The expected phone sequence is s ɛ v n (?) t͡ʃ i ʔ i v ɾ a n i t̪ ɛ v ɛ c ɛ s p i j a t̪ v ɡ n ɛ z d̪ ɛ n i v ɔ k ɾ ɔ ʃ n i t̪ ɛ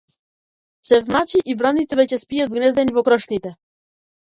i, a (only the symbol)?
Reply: a